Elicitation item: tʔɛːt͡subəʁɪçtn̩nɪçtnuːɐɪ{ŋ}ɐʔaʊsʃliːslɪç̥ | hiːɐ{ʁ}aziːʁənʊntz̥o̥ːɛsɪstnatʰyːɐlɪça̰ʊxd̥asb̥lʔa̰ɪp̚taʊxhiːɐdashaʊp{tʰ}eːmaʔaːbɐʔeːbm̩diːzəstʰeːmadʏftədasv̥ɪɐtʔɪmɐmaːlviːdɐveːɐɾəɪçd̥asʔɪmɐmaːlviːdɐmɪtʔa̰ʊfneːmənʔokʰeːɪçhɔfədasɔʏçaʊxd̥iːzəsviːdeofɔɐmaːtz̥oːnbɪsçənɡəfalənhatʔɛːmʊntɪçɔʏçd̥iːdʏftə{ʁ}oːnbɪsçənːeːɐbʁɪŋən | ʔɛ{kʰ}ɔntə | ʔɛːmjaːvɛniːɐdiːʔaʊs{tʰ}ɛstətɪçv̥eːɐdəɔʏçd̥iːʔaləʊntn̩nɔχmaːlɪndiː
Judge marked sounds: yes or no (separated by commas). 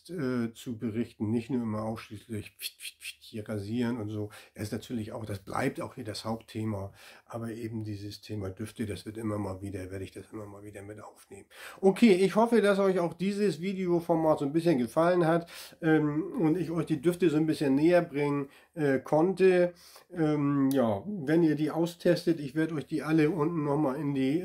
no, yes, yes, no, yes, yes